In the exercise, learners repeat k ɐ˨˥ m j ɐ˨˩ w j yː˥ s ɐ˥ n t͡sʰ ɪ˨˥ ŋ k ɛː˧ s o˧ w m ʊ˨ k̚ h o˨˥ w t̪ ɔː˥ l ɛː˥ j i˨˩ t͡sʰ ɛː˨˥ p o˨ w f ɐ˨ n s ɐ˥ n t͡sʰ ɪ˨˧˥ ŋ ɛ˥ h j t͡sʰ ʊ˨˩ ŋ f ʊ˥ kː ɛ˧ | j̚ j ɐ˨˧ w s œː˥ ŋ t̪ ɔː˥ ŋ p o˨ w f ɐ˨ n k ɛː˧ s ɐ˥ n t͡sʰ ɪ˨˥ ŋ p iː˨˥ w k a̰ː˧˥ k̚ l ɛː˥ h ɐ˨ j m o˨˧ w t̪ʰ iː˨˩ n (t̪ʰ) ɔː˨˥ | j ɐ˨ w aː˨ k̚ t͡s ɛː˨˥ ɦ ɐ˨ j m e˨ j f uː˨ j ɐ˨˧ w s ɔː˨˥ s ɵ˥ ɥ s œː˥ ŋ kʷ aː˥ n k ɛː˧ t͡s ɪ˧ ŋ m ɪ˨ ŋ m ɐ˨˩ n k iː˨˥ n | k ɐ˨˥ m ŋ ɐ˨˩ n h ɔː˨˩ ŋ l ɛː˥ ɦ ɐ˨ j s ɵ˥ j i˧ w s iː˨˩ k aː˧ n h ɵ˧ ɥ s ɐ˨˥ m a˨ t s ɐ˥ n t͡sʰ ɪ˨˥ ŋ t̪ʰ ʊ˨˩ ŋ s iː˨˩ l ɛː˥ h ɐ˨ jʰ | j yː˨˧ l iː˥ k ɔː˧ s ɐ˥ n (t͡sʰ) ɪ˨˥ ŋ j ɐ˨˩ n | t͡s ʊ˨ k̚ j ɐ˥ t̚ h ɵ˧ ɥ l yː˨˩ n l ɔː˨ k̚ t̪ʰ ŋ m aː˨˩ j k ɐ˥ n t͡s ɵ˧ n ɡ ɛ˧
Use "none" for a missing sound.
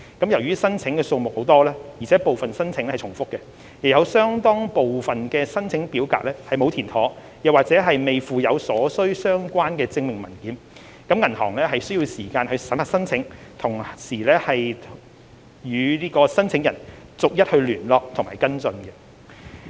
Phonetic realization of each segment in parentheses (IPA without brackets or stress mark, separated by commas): t̪ʰ, t͡sʰ